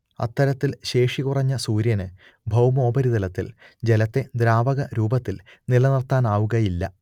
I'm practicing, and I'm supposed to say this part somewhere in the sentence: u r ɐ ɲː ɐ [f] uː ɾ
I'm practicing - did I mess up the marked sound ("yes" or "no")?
yes